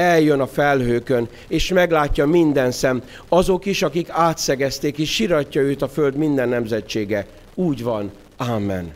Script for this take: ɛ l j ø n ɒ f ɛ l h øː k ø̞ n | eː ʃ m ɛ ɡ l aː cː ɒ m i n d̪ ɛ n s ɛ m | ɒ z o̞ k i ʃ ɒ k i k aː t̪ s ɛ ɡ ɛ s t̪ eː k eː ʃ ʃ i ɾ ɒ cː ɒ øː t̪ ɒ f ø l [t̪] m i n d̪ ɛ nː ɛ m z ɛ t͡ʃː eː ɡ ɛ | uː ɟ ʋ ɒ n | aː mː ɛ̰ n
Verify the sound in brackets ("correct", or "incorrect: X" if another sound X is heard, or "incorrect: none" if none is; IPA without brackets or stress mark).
incorrect: d̪